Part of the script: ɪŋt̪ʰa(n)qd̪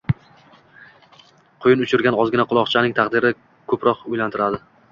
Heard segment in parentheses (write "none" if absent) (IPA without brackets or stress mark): none